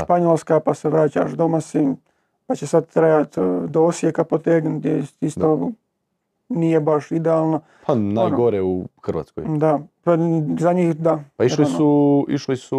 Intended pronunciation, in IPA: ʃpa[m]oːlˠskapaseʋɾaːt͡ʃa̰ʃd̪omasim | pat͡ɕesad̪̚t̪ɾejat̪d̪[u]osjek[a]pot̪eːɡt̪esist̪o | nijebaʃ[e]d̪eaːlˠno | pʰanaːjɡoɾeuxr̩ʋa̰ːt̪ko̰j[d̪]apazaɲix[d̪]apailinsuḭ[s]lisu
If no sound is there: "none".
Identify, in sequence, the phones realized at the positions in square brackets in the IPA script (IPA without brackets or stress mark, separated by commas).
ɲ, o, a, i, d̪, d̪, ʃ